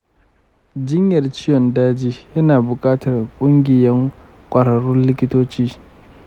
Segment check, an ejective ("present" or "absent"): present